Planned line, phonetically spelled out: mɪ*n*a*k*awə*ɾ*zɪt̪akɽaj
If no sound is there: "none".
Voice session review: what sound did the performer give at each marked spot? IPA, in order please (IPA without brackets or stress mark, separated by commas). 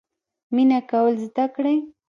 n, k, l